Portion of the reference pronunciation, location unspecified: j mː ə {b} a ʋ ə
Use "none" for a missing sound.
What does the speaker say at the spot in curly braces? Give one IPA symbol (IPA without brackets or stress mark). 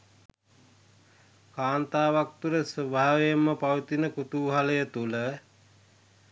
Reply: p